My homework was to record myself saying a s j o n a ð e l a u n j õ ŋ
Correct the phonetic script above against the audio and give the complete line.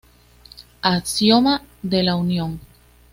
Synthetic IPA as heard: a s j o m a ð e l a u n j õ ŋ